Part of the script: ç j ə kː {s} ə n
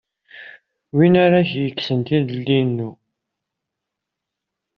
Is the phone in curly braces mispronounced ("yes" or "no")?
no